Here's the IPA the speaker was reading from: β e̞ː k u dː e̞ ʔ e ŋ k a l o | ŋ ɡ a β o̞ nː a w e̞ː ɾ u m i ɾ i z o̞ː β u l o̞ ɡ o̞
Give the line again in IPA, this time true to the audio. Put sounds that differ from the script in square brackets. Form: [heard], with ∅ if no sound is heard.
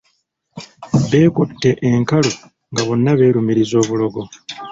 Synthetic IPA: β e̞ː k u [tː] e̞ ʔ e ŋ k a l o | ŋ ɡ a β o̞ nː a [β] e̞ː ɾ u m i ɾ i z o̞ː β u l o̞ ɡ o̞